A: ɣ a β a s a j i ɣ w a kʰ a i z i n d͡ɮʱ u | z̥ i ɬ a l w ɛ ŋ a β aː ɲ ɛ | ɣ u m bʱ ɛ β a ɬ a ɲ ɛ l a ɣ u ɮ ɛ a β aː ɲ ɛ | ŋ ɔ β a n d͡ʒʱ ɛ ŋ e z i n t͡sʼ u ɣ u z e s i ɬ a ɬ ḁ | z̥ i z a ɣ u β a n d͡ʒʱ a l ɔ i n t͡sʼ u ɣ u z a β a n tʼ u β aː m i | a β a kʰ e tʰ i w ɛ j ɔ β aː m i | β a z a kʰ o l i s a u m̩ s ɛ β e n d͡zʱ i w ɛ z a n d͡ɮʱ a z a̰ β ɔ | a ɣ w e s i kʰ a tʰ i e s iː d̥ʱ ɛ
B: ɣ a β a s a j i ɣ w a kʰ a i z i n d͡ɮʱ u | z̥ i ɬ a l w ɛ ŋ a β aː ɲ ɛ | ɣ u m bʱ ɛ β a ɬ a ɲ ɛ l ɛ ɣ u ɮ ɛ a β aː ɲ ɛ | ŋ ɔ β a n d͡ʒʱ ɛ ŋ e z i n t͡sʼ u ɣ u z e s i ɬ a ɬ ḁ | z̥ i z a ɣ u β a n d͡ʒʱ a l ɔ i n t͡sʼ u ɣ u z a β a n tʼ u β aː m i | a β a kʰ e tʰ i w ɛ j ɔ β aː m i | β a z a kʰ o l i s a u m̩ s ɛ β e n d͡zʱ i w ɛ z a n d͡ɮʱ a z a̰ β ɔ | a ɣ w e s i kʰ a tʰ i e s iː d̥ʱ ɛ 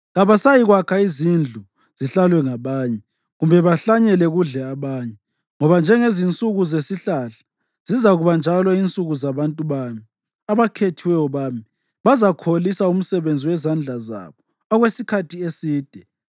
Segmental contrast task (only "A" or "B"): B